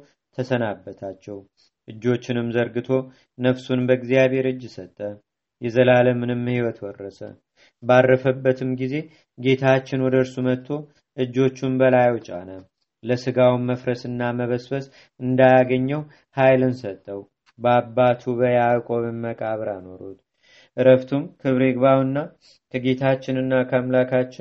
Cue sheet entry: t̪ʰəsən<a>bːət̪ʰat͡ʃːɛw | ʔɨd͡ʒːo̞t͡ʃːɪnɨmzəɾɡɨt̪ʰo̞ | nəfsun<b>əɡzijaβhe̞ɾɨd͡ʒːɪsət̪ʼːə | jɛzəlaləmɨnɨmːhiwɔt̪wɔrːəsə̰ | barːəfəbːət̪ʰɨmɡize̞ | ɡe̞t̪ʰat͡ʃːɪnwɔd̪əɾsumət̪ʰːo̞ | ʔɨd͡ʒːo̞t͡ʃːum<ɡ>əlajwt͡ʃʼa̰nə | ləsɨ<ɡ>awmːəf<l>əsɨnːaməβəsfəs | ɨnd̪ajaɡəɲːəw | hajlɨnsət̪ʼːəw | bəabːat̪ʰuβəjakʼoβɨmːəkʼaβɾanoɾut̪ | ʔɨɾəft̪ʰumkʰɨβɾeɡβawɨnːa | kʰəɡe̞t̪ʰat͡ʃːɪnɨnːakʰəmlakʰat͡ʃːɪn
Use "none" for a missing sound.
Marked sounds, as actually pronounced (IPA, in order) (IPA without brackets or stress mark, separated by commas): a, b, b, ɡ, ɾ